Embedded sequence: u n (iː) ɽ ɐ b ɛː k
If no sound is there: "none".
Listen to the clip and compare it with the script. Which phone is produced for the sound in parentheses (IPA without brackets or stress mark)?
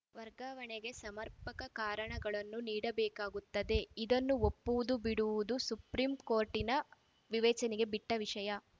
iː